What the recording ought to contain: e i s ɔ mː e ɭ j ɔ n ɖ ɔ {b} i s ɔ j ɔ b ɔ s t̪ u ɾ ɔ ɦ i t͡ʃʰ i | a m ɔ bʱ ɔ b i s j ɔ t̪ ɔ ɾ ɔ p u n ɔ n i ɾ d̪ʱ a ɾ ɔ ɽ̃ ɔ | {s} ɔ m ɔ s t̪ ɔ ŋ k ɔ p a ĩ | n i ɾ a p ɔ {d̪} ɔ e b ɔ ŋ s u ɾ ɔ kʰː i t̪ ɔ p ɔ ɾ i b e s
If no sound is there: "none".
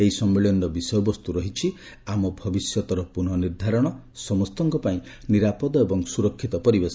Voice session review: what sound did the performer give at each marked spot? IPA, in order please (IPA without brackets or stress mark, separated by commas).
b, s, d̪